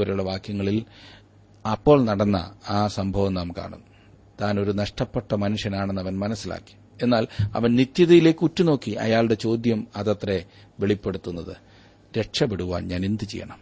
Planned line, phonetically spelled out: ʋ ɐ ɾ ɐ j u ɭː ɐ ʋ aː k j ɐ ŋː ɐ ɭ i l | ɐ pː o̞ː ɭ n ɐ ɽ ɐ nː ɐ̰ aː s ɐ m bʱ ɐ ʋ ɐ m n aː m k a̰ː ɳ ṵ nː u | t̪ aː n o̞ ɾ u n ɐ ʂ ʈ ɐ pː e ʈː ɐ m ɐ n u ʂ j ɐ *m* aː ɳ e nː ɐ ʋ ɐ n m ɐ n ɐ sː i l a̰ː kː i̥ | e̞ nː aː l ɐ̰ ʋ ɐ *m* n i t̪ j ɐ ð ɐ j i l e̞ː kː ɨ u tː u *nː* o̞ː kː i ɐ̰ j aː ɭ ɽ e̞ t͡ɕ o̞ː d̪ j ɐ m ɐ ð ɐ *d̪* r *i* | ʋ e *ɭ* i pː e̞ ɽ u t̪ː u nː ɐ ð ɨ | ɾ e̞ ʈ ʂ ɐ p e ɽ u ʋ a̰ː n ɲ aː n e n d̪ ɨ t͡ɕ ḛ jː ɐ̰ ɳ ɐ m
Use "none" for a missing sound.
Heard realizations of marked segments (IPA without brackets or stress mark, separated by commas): n, n, n, t̪, e, ɭ